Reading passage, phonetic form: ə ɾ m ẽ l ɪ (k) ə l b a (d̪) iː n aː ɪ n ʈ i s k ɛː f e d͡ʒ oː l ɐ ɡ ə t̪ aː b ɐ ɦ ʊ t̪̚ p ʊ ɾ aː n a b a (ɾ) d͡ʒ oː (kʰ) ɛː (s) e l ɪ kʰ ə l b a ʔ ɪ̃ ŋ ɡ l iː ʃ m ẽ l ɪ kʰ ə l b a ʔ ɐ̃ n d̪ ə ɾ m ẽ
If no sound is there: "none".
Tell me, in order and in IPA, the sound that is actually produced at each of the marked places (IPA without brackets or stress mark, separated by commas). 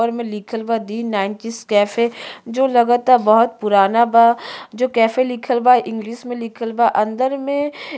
kʰ, d̪, none, k, f